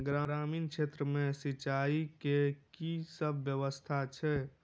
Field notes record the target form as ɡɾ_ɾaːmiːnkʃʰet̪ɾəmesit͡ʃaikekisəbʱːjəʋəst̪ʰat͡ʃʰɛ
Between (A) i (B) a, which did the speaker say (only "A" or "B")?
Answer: B